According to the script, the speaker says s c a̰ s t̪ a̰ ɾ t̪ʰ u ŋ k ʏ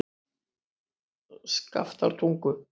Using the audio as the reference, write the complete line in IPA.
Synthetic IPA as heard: s k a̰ f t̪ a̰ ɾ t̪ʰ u ŋ k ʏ